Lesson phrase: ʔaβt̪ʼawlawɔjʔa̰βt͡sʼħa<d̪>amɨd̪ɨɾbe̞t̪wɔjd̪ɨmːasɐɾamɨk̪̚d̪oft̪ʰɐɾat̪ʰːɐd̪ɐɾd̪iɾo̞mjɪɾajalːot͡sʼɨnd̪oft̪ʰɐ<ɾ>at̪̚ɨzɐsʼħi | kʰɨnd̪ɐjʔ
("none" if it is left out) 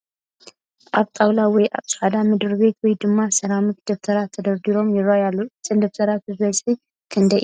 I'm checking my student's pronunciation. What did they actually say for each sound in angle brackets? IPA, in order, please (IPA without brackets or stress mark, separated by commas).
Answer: d̪, ɾ